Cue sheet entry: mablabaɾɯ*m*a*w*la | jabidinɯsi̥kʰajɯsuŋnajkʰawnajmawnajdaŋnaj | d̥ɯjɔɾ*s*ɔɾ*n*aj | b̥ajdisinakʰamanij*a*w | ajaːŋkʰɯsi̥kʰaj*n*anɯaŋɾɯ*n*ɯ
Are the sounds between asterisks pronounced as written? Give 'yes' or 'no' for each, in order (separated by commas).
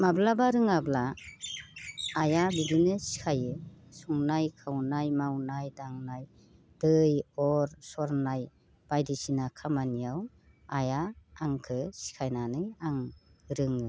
no, no, yes, yes, yes, yes, no